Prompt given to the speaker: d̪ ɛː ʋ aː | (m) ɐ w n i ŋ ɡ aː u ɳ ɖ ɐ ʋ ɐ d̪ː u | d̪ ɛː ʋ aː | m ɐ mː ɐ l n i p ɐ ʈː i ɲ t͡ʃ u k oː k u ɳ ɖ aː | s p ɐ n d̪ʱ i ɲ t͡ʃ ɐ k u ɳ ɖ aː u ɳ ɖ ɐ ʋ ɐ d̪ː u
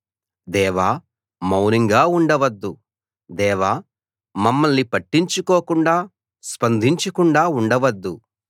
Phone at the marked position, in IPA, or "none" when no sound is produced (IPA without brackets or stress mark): m